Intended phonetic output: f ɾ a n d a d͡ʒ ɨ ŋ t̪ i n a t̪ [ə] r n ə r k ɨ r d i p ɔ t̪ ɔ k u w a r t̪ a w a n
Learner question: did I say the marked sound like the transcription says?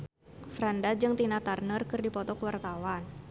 no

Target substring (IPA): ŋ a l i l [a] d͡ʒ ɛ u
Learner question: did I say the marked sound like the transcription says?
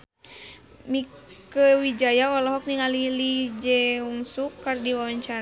no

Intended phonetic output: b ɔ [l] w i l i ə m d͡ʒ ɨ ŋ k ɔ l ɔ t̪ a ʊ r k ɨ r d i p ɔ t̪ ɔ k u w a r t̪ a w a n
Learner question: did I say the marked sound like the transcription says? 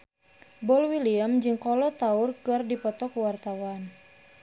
yes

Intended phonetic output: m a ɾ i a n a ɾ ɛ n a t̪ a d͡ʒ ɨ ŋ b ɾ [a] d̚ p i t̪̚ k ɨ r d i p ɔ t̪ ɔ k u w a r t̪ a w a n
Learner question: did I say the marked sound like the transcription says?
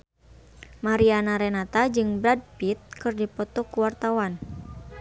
yes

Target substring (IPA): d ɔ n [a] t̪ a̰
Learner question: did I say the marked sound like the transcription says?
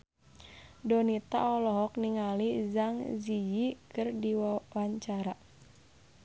no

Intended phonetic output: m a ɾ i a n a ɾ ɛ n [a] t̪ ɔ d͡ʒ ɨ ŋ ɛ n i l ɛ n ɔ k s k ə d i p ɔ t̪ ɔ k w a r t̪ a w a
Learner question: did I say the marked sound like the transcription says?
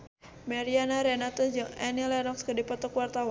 yes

